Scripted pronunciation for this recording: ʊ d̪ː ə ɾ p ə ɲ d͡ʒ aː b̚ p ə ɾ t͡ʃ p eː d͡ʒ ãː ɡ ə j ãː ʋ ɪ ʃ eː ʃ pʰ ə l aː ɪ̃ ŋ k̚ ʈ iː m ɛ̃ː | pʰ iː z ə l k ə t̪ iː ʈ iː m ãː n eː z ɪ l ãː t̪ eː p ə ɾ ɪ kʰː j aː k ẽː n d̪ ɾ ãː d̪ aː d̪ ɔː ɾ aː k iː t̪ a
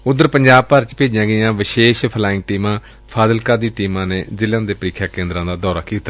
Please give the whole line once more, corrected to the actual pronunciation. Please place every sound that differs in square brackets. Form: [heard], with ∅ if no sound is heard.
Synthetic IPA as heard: ʊ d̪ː ə ɾ p ə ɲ d͡ʒ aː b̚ p ə ɾ t͡ʃ p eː d͡ʒ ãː ɡ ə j ãː ʋ ɪ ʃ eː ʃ pʰ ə l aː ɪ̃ ŋ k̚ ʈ iː m [ãː] | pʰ [aː] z ə l k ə [d̪] iː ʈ iː m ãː n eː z ɪ l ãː [d̪] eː p ə ɾ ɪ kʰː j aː k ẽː n d̪ ɾ ãː d̪ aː d̪ ɔː ɾ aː k iː t̪ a